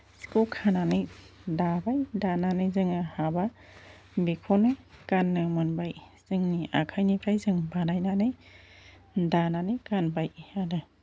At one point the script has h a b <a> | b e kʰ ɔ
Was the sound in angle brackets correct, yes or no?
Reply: yes